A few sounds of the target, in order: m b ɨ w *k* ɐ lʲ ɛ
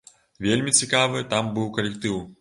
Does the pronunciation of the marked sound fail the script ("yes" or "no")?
no